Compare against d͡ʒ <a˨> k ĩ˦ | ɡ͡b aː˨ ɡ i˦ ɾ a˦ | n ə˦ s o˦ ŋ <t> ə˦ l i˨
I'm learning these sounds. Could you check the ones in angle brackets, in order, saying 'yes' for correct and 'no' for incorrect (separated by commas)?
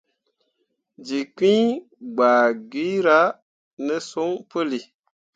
no, no